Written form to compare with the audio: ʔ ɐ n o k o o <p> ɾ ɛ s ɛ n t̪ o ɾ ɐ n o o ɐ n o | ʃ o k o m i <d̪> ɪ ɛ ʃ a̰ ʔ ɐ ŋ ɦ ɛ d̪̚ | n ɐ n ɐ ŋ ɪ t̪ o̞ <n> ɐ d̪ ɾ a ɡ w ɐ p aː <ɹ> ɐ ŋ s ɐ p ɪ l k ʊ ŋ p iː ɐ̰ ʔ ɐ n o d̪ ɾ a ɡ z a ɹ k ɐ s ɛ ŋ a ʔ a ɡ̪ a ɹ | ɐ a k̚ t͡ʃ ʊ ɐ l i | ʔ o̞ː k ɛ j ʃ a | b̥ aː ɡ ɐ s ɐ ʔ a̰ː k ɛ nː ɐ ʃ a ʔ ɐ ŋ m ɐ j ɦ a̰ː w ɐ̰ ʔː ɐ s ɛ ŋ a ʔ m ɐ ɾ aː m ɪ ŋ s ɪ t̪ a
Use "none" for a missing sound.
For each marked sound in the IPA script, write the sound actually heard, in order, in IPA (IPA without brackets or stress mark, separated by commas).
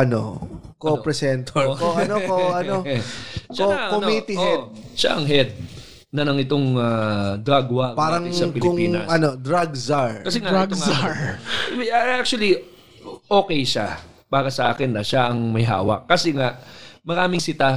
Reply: p, t̪, ŋ, ɾ